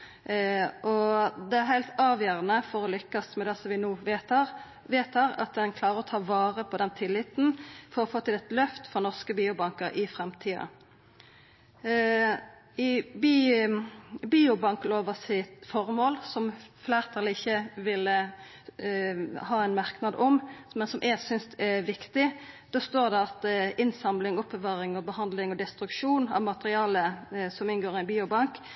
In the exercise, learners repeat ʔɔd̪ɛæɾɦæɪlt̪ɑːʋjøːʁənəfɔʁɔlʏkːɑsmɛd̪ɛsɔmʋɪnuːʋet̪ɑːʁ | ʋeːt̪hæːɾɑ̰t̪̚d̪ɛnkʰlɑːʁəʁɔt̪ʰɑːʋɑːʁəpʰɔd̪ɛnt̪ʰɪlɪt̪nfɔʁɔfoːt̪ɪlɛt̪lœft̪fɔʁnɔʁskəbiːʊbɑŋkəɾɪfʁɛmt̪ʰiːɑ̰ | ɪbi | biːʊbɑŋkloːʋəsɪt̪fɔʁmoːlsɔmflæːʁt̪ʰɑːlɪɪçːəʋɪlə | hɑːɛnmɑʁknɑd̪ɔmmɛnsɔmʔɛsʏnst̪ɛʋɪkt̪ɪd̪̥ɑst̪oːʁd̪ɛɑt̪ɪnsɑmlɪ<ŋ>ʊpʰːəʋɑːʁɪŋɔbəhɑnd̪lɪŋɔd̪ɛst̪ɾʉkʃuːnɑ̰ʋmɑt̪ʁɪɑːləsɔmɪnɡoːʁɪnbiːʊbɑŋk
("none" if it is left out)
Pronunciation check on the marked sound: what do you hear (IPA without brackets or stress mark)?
ŋ